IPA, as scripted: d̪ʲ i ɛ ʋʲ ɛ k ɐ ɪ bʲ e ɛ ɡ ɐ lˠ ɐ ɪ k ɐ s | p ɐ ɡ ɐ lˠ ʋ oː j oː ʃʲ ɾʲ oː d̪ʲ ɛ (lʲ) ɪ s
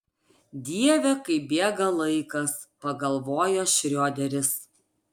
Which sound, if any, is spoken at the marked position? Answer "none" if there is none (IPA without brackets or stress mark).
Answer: ɾʲ